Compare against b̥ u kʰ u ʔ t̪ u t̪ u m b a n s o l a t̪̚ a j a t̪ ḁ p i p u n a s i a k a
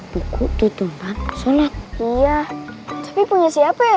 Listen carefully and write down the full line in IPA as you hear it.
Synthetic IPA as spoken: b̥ u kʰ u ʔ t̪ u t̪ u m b a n s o l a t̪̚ i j a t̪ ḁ p i p u ɲ a s i a p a